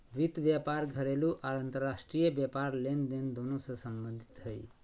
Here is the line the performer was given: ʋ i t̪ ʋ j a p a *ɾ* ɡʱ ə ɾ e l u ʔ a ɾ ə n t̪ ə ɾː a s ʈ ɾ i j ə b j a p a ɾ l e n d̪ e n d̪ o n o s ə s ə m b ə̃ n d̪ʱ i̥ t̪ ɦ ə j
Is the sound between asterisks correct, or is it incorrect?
correct